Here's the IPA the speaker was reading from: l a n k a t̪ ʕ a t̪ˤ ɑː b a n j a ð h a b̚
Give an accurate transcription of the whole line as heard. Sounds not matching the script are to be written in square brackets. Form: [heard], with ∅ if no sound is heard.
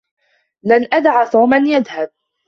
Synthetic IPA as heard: l a n [ʔ] a [d̪] ʕ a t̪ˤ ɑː [m] a n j a ð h a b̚